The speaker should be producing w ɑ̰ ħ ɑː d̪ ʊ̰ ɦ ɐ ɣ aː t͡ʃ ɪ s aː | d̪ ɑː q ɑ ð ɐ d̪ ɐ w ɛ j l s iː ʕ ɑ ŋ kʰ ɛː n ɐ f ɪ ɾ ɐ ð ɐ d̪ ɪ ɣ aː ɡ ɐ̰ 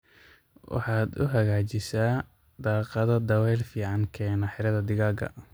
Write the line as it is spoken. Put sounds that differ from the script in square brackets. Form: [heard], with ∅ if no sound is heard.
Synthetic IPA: w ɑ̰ ħ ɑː d̪ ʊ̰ ɦ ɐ ɣ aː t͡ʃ ɪ s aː | d̪ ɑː q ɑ ð ɐ d̪ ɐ w ɛ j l [f] iː ʕ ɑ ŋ kʰ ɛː n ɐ [ħ] ɪ ɾ ɐ ð ɐ d̪ ɪ ɣ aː ɡ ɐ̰